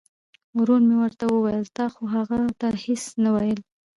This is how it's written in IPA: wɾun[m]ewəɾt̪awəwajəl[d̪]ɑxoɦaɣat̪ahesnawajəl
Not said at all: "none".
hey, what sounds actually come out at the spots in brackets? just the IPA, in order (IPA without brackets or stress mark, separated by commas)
m, t̪